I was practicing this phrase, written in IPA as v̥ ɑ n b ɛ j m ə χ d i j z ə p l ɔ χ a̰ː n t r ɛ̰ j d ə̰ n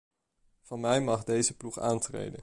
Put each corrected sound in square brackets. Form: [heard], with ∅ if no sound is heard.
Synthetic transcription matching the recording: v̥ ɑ n [m] ɛ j m [ɑ] χ d [e] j z ə p l [u] χ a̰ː n t r [ḛ] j d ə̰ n